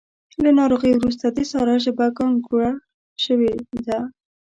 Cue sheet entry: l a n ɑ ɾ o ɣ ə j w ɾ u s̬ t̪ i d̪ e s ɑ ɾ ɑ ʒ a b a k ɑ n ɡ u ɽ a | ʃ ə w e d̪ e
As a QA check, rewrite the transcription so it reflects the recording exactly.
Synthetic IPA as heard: l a n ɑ ɾ o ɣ ə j w ɾ u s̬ t̪ a d̪ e s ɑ ɾ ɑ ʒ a b a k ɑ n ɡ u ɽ a | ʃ ə w e d̪ a